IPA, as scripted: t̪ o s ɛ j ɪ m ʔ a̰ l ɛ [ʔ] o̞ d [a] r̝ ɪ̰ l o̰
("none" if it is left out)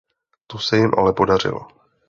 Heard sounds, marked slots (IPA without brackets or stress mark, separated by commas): p, a